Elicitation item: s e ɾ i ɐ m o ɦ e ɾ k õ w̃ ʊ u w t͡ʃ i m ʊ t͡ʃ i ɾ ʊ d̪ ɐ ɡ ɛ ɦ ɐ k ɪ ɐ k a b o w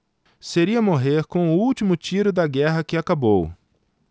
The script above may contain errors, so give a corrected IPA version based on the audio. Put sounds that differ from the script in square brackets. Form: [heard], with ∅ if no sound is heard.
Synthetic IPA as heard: s e ɾ i ɐ m o ɦ e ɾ k õ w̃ ʊ u w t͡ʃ i m ʊ t͡ʃ i ɾ ʊ d̪ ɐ ɡ ɛ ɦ ɐ k ɪ [a] k a b o w